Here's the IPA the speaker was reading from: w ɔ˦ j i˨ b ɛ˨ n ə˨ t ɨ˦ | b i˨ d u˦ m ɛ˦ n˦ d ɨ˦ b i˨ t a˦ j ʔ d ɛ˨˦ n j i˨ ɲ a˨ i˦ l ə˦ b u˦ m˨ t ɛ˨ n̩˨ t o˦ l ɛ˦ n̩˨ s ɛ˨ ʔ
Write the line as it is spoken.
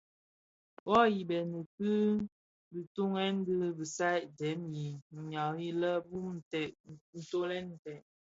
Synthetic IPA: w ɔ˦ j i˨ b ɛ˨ n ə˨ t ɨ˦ | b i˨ t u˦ ŋ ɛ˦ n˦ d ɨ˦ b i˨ s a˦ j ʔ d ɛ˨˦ m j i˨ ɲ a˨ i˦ l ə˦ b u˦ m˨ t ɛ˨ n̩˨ t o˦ l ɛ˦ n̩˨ t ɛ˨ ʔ